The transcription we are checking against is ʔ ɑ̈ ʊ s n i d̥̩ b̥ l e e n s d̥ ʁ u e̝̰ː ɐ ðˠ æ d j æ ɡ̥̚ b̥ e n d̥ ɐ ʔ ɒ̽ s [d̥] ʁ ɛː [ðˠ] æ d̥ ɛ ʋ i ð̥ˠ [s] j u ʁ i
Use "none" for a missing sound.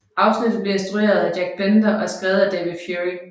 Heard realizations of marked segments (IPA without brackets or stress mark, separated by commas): ɡ̥, ðˠ, f